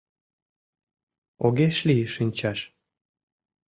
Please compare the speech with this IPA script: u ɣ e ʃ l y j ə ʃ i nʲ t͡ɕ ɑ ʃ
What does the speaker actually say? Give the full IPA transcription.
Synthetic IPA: o ɣ e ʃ l i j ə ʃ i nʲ t͡ɕ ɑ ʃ